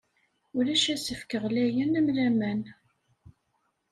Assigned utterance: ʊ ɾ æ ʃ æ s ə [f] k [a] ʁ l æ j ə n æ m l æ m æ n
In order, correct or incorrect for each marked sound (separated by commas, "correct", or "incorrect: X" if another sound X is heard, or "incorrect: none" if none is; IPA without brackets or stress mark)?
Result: correct, incorrect: ə